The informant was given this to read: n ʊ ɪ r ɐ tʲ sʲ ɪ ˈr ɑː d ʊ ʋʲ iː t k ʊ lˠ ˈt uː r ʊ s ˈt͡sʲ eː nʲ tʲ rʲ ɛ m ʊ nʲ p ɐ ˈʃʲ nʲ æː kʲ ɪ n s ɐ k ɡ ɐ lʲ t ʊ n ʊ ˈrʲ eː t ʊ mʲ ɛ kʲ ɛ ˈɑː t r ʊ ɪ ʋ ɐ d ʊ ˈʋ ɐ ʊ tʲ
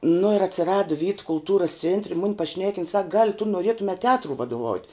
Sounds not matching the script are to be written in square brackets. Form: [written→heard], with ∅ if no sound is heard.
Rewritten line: n ʊ ɪ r ɐ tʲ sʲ ɪ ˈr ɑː d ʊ ʋʲ iː t k ʊ lˠ ˈt uː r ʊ s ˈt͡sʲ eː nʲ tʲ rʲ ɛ m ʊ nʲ p ɐ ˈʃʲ nʲ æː kʲ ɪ n s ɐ k ɡ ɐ lʲ t ʊ n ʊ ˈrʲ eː t ʊ mʲ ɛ [kʲ→tʲ] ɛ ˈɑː t r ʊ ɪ ʋ ɐ d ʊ ˈʋ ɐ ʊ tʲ

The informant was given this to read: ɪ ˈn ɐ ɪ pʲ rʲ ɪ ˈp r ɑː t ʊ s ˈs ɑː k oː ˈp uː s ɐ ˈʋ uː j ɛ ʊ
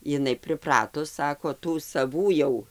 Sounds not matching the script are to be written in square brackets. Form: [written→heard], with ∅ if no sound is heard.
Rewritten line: ɪ ˈn ɐ ɪ pʲ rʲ ɪ ˈp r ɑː t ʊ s ˈs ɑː k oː [ˈp→ˈt] uː s ɐ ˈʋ uː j ɛ ʊ

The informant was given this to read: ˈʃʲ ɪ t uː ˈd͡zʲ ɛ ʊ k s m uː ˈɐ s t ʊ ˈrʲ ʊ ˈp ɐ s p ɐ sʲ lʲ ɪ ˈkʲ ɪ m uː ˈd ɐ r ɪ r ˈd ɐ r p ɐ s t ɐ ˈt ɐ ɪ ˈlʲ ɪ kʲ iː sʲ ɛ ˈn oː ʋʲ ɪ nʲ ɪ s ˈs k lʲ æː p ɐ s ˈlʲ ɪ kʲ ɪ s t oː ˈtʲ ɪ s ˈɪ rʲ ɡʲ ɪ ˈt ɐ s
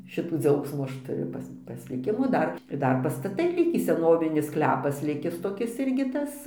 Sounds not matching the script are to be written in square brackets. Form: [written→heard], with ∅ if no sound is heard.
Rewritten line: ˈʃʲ ɪ t uː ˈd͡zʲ ɛ ʊ k s m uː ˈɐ [s→ʃ] t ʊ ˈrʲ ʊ ˈp ɐ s p ɐ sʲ lʲ ɪ ˈkʲ ɪ m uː ˈd ɐ r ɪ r ˈd ɐ r p ɐ s t ɐ ˈt ɐ ɪ ˈlʲ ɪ kʲ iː sʲ ɛ ˈn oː ʋʲ ɪ nʲ ɪ s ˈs k lʲ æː p ɐ s ˈlʲ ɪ kʲ ɪ s t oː [ˈtʲ→ˈkʲ] ɪ s ˈɪ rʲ ɡʲ ɪ ˈt ɐ s

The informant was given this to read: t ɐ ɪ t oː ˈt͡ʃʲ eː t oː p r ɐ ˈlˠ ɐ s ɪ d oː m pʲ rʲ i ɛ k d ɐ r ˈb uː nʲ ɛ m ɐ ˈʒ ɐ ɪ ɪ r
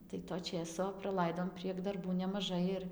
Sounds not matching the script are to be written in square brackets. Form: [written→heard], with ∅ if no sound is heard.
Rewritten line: t ɐ ɪ t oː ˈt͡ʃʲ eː [t→s] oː p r ɐ ˈlˠ ɐ [s→∅] ɪ d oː m pʲ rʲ i ɛ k d ɐ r ˈb uː nʲ ɛ m ɐ ˈʒ ɐ ɪ ɪ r

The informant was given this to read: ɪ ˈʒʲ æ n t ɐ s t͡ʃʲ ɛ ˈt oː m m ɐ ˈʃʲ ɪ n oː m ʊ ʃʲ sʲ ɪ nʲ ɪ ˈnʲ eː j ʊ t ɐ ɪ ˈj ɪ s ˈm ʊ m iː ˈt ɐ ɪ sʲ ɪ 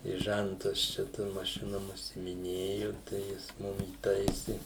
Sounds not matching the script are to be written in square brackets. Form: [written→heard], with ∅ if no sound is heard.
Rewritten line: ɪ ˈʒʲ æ n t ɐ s t͡ʃʲ ɛ ˈt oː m m ɐ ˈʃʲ ɪ n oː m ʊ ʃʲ sʲ ɪ [nʲ→mʲ] ɪ ˈnʲ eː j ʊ t ɐ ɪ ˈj ɪ s ˈm ʊ m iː ˈt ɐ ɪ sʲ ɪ

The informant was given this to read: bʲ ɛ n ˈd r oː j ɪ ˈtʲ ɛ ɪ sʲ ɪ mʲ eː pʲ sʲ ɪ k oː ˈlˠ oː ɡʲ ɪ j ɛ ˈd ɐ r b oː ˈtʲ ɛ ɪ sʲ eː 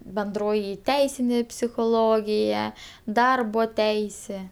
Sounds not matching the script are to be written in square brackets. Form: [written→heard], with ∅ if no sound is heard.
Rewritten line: bʲ ɛ n ˈd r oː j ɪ ˈtʲ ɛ ɪ sʲ ɪ [mʲ→nʲ] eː pʲ sʲ ɪ [k→x] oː ˈlˠ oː ɡʲ ɪ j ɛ ˈd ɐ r b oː ˈtʲ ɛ ɪ sʲ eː

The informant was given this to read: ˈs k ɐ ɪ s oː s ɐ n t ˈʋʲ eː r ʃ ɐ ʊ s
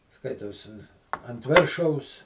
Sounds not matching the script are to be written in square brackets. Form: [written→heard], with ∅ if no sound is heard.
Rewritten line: ˈs k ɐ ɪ [s→t] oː s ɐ n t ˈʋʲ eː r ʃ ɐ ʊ s

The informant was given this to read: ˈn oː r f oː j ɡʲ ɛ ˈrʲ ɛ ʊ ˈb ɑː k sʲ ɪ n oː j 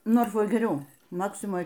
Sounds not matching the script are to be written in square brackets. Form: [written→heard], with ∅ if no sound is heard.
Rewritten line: ˈn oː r f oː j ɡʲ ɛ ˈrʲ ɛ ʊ [ˈb→ˈm] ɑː k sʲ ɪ [n→m] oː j

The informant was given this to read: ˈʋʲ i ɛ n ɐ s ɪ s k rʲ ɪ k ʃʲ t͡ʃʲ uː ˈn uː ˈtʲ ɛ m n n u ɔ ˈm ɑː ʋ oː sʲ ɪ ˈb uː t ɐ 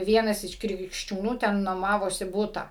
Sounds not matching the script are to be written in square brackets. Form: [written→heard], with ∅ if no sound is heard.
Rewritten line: ˈʋʲ i ɛ n ɐ s ɪ [s→ʃ] k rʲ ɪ k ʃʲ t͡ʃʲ uː ˈn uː ˈtʲ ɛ [m→∅] n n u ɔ ˈm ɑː ʋ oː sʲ ɪ ˈb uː t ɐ

